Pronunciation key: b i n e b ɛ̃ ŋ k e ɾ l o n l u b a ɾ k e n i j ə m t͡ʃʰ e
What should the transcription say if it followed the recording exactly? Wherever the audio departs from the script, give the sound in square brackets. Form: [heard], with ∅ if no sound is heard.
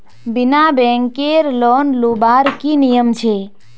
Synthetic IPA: b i n [a] b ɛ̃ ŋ k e ɾ l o n l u b a ɾ k [i] n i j ə m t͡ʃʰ e